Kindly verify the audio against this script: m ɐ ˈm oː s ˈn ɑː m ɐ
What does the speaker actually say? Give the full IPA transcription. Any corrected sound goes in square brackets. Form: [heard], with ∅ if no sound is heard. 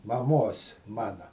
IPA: m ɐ ˈm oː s [ˈm] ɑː [n] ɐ